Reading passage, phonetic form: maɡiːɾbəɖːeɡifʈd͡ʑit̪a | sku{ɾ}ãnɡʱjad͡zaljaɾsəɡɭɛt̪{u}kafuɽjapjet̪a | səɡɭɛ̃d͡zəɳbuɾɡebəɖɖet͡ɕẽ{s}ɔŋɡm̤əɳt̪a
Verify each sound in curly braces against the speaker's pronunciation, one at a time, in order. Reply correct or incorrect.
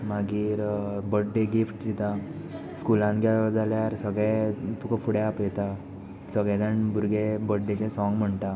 incorrect: l, correct, correct

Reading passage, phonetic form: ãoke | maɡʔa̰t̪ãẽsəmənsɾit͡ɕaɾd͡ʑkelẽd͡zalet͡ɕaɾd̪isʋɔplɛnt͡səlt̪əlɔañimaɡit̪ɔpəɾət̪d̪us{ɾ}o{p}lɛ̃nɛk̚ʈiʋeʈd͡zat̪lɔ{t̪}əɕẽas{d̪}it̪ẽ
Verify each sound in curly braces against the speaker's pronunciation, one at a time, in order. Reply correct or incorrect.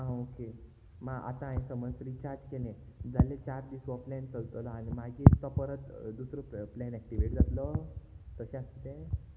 correct, correct, correct, incorrect: t̪

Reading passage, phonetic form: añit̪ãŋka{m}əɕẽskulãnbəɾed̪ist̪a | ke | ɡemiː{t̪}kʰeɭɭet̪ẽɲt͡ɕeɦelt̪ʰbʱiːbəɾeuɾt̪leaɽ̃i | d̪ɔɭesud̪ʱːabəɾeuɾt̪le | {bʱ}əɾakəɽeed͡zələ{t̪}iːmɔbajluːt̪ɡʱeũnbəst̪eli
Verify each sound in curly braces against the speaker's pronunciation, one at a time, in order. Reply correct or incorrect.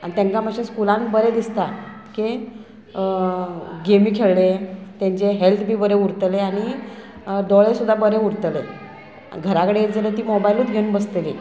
correct, incorrect: none, incorrect: ɡʱ, correct

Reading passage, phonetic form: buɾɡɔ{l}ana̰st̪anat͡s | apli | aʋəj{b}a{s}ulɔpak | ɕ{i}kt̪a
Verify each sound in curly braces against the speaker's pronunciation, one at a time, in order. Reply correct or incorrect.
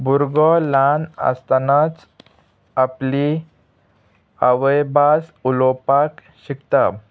correct, correct, correct, correct

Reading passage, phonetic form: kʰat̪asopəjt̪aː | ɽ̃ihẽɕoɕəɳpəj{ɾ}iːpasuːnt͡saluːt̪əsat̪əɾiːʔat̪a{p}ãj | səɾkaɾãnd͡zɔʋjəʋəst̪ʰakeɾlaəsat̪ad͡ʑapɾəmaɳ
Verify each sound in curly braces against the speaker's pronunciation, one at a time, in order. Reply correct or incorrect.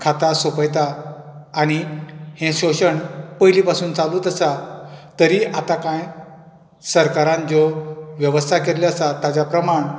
incorrect: l, incorrect: k

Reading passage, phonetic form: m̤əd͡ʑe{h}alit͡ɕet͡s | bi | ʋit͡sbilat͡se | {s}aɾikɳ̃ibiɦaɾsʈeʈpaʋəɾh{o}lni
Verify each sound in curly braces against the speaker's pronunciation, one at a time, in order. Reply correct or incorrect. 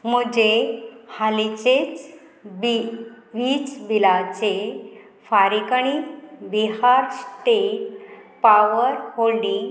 correct, incorrect: f, correct

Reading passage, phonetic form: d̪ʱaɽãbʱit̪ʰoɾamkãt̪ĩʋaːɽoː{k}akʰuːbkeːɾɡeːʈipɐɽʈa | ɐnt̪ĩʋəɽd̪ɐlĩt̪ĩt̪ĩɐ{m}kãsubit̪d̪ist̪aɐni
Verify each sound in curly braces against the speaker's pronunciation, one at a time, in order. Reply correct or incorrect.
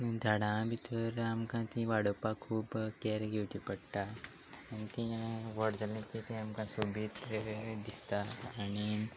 incorrect: p, correct

